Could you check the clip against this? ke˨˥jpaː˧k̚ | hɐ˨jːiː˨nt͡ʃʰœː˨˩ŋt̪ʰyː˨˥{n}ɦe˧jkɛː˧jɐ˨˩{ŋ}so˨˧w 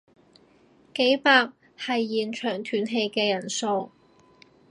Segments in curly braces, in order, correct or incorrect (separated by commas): correct, incorrect